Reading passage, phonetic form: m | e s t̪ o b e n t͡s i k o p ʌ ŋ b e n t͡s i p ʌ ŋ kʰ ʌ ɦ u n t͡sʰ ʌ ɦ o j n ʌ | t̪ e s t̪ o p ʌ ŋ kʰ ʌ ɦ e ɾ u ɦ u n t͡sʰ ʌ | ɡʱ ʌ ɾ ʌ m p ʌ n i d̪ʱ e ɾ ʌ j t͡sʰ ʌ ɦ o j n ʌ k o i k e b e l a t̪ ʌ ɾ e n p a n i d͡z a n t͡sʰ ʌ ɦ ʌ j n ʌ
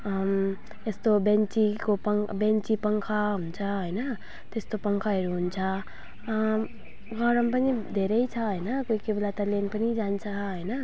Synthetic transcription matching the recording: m | e s t̪ o b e n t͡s i k o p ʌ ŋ b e n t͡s i p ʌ ŋ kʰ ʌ ɦ u n t͡sʰ ʌ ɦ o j n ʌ | t̪ e s t̪ o p ʌ ŋ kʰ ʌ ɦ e ɾ u ɦ u n t͡sʰ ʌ | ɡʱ ʌ ɾ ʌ m p ʌ n i d̪ʱ e ɾ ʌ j t͡sʰ ʌ ɦ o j n ʌ k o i k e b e l a t̪ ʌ l e n p ʌ n i d͡z a n t͡sʰ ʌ ɦ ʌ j n ʌ